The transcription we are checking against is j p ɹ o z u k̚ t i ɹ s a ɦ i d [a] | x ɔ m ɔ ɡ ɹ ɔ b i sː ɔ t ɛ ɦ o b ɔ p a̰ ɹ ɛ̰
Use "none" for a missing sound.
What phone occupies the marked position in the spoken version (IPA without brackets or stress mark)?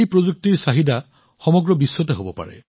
a